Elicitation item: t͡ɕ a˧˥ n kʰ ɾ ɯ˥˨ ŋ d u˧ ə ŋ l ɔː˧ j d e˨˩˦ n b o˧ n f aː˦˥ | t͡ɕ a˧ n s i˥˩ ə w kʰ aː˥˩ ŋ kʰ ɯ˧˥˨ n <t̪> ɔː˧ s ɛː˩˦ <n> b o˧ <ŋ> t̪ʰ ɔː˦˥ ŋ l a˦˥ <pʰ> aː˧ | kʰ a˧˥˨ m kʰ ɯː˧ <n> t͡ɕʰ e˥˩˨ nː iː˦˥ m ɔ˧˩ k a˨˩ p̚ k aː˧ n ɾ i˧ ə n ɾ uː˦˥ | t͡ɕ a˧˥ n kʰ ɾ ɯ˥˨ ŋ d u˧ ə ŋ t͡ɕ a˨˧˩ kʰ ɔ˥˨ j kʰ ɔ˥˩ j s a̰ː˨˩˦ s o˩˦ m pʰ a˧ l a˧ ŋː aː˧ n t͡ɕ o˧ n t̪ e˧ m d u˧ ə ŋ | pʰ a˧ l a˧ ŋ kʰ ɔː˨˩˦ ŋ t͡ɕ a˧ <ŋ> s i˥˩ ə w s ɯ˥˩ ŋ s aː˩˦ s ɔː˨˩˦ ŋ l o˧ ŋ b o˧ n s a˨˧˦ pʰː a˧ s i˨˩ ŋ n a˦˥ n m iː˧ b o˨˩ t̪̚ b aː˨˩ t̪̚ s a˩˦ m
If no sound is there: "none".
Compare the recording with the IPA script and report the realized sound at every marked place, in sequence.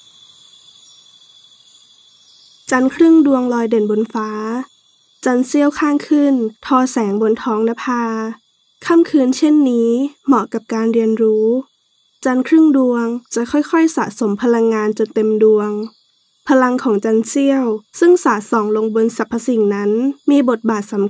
t̪ʰ, ŋ, n, pʰ, n, n

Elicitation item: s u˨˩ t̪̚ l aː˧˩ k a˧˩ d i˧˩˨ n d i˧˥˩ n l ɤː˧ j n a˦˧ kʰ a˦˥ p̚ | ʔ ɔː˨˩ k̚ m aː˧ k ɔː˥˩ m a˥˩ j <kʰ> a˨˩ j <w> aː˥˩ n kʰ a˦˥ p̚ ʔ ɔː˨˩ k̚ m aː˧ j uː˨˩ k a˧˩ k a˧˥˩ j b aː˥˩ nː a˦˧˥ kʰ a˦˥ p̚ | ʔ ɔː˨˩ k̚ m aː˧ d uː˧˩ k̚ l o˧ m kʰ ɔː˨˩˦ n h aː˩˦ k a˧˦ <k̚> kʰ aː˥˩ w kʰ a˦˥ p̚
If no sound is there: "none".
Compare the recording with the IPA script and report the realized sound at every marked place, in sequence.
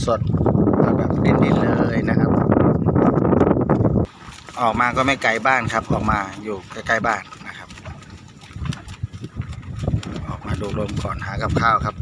k, b, p̚

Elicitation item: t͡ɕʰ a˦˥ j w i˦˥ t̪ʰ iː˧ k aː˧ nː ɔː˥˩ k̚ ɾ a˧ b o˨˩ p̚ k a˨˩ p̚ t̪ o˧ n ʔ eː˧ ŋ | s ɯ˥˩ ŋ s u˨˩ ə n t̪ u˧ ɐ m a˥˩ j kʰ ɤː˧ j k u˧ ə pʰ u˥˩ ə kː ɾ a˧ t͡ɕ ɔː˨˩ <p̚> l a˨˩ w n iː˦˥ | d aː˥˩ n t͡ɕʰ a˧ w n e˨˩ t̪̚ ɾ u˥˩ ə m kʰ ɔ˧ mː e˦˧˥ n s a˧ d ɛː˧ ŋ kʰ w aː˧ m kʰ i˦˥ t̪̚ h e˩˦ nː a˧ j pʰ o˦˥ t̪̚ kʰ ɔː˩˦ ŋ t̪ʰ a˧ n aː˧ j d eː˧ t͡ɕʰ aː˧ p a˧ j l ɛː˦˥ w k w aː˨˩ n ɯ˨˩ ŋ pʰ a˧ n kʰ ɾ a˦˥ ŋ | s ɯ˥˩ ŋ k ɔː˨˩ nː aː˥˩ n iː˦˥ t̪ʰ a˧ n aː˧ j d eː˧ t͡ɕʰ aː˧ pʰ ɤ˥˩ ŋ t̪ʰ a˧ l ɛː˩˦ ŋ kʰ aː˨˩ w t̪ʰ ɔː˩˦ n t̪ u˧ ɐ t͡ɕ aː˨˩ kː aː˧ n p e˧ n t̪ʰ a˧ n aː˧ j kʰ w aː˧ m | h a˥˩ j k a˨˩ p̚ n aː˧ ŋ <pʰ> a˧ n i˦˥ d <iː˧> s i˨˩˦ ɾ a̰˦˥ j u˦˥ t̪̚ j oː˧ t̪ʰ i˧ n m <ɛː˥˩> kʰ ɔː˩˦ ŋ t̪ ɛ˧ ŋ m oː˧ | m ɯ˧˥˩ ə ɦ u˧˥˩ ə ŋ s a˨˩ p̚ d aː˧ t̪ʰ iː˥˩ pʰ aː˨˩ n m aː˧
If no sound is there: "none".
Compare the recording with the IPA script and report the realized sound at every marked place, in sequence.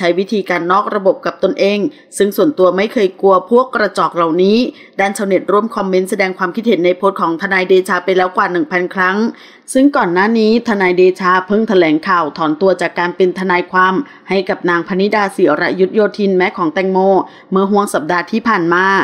k̚, pʰ, aː˧, ɛː˦˥

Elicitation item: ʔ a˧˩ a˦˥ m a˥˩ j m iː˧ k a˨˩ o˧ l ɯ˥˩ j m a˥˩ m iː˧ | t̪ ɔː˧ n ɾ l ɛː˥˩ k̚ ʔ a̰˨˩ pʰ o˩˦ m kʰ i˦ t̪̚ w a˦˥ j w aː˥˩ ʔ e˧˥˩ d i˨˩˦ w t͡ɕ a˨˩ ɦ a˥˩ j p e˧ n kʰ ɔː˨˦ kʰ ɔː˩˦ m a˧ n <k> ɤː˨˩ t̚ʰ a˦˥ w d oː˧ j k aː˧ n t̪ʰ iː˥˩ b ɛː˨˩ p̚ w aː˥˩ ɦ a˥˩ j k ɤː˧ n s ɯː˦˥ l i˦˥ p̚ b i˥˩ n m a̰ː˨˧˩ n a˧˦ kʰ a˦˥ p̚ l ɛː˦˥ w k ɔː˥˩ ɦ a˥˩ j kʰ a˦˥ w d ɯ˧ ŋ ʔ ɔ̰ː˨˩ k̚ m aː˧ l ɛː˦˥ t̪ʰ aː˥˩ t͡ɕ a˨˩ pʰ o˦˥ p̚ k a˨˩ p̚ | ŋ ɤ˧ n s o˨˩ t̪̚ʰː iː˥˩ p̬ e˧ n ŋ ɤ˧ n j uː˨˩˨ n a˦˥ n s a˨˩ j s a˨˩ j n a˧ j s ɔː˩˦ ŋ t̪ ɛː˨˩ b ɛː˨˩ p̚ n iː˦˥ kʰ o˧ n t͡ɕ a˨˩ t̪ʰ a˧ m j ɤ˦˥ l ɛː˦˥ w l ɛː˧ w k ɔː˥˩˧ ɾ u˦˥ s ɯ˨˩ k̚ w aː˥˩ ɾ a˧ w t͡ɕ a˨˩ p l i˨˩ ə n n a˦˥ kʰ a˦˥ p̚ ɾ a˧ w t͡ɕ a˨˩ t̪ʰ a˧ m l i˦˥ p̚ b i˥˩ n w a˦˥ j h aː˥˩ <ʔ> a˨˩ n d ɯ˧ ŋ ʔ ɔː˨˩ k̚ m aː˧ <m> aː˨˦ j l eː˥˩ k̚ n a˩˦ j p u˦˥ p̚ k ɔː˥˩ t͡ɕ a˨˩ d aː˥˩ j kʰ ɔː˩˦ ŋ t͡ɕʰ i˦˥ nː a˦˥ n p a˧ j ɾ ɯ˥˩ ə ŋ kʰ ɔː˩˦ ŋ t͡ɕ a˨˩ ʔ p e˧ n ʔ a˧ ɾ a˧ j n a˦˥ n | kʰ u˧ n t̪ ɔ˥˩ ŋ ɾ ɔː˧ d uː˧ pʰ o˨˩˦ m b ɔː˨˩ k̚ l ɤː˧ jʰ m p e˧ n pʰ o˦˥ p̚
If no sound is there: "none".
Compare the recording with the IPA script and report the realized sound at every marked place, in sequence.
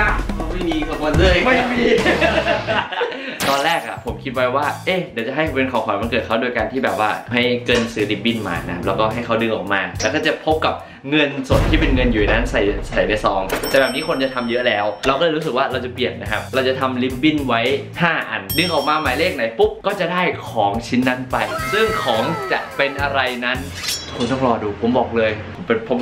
k, ʔ, m

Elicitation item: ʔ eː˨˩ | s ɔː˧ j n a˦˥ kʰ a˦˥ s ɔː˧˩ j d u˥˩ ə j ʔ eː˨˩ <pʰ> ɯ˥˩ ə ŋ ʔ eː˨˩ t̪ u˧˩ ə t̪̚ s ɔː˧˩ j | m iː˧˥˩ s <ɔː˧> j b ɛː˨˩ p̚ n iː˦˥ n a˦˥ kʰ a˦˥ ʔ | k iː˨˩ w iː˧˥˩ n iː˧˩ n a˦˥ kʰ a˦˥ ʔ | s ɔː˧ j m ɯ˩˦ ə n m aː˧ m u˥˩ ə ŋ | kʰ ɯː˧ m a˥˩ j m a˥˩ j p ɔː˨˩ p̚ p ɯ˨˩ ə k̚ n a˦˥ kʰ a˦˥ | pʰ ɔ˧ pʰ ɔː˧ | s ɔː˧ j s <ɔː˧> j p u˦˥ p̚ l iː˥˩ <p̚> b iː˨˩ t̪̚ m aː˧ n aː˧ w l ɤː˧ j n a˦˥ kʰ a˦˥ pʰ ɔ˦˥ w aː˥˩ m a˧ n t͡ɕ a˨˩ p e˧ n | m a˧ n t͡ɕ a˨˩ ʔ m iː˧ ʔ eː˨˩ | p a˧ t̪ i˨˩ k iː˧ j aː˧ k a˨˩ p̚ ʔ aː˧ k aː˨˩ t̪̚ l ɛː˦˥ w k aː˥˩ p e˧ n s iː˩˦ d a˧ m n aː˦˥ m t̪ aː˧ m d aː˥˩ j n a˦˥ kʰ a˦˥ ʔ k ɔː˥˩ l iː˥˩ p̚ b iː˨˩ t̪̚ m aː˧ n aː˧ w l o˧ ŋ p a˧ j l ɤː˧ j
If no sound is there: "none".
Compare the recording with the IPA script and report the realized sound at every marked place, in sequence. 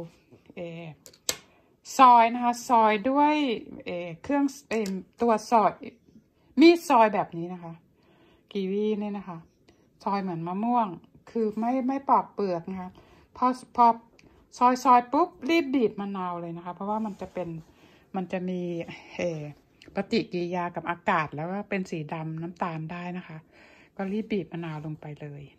kʰ, ɔː˧, ɔː˧, p̚

